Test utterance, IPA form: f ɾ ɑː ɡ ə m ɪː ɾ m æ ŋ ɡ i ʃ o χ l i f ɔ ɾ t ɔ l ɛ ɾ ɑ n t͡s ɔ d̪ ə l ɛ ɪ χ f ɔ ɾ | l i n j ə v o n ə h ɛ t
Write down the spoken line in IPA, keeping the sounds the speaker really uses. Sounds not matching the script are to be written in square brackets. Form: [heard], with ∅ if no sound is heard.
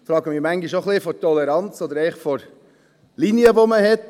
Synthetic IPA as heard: f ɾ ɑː ɡ ə m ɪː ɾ m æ ŋ ɡ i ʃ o χ l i f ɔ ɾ t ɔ l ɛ ɾ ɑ n t͡s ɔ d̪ ə [ɾ] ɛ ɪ χ f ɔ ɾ | l i n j ə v o [m] ə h ɛ t